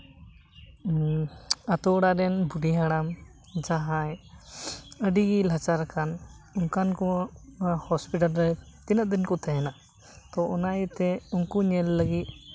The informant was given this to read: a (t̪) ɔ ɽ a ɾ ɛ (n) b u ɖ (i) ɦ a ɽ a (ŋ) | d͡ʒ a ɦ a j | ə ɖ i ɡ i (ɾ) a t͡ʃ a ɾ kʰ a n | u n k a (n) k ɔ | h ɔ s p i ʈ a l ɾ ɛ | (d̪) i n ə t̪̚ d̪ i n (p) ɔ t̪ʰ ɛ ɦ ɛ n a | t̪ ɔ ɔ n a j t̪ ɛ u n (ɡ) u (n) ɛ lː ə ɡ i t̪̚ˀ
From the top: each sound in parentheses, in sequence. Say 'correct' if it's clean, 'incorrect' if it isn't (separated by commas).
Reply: correct, correct, correct, incorrect, incorrect, correct, incorrect, incorrect, incorrect, incorrect